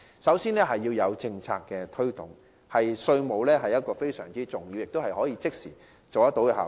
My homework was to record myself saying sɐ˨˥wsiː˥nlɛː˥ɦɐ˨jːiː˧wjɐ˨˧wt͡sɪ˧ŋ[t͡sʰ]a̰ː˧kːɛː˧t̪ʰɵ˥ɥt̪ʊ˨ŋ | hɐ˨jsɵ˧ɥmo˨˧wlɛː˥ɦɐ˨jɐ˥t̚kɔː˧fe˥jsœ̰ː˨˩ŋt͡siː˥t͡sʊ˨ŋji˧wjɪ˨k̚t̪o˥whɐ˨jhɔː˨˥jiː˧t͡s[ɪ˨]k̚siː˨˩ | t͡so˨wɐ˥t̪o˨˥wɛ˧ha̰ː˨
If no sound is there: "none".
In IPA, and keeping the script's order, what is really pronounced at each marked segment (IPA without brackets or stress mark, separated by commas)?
t͡sʰ, ɪ˥